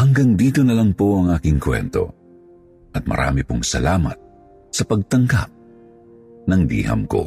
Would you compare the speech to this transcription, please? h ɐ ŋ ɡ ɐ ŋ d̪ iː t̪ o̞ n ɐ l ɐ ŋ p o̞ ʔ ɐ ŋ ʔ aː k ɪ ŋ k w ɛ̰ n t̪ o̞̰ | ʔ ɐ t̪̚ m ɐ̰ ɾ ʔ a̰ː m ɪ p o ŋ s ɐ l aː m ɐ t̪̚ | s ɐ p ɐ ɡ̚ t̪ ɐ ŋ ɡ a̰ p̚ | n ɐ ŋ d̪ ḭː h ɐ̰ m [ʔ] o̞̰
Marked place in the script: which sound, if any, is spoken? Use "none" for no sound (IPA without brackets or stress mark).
k